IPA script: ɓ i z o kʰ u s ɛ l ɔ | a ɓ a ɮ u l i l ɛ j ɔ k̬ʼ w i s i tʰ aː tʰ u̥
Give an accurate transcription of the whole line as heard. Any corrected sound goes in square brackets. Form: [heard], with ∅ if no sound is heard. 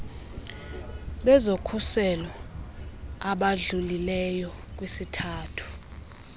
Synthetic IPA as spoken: ɓ [ɛ] z o kʰ u s ɛ l ɔ | a ɓ a ɮ u l i l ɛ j ɔ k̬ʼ w i s i tʰ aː tʰ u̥